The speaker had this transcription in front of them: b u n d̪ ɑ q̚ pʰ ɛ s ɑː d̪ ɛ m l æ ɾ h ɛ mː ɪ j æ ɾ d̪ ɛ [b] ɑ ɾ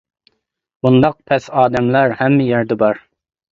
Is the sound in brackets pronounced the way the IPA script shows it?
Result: yes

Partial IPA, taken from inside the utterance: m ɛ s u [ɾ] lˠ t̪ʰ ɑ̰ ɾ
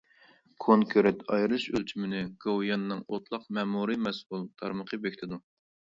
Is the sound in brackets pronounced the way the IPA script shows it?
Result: no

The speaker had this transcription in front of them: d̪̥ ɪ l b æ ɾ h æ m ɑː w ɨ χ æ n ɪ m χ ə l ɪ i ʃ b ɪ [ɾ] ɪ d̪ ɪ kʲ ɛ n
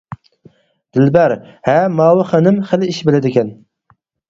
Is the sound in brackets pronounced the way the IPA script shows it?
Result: no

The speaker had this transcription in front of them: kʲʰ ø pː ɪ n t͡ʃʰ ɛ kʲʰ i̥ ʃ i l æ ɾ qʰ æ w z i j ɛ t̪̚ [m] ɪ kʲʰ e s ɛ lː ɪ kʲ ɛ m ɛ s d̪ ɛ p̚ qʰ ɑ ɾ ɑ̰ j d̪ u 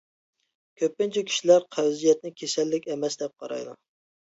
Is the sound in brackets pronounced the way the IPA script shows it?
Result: no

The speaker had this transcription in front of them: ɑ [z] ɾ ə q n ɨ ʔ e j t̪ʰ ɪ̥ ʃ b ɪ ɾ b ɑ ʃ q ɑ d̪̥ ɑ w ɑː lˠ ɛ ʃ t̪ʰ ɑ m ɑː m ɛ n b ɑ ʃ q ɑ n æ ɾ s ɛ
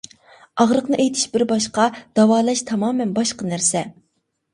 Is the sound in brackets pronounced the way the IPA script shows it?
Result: no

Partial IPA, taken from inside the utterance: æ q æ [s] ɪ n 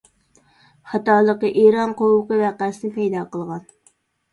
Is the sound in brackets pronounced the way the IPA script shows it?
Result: yes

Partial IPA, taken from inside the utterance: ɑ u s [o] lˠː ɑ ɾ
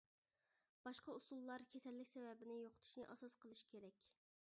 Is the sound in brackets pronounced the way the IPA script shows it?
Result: no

